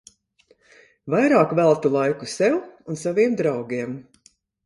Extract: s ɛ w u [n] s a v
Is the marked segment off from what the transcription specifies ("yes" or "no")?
no